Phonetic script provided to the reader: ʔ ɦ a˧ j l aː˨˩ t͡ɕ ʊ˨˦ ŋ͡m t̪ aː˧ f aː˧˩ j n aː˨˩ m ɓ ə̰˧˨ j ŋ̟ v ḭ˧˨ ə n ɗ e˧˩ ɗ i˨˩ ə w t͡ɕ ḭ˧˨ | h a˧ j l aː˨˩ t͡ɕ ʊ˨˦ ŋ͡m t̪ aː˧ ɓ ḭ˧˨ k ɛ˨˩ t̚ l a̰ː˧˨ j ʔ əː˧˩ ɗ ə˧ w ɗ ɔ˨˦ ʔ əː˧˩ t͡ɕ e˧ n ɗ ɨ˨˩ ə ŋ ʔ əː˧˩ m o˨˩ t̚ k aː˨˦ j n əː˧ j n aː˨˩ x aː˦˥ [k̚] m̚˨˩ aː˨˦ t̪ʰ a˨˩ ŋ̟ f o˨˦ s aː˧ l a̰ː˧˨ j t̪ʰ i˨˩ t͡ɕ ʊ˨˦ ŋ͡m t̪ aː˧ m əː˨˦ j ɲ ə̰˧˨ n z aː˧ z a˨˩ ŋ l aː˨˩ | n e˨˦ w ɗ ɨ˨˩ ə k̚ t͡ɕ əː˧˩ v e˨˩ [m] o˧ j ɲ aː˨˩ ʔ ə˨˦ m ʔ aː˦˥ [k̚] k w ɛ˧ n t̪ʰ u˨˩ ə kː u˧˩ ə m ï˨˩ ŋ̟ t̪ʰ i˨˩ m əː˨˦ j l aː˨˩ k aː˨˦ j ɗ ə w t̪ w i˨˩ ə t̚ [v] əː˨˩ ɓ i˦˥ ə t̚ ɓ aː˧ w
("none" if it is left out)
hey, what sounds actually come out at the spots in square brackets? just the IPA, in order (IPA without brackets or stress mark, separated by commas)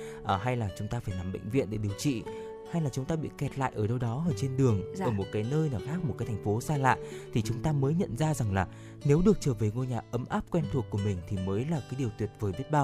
k̚, ŋ, p̚, v